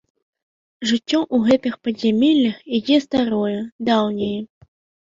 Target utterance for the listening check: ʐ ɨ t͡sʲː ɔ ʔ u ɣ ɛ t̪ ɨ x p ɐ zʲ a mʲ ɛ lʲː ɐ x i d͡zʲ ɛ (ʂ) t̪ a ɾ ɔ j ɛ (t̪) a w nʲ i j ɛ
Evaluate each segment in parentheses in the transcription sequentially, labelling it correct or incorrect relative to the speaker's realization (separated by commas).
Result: incorrect, incorrect